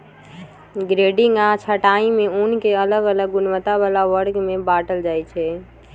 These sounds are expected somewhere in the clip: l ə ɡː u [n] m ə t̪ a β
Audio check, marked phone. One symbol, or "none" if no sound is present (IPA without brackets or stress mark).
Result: n